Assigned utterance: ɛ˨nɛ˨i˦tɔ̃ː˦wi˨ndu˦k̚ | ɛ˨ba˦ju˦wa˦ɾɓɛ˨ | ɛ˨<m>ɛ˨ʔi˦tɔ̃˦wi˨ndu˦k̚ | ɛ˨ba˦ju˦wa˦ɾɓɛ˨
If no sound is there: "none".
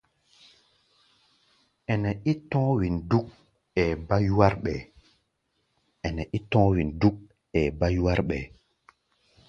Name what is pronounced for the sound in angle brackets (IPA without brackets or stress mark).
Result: n